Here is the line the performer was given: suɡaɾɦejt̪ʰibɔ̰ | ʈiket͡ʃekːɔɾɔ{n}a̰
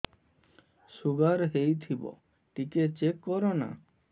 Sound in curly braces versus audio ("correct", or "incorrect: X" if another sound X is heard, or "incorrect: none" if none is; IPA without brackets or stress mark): correct